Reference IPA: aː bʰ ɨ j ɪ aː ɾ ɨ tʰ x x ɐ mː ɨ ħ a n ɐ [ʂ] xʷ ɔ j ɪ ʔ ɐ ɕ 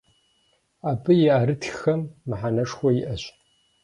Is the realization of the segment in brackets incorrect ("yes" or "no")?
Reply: no